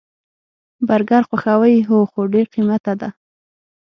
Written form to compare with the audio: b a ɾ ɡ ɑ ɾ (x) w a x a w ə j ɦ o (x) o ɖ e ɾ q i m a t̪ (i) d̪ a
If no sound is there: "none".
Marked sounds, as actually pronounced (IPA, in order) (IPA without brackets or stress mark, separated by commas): x, x, a